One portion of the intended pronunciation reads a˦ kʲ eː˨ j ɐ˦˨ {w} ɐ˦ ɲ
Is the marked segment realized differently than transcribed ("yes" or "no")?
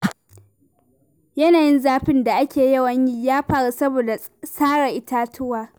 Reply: no